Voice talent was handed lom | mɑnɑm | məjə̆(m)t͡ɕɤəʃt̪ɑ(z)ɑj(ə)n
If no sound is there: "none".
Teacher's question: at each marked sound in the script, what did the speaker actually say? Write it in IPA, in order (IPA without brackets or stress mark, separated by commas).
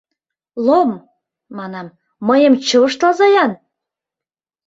m, z, ɑ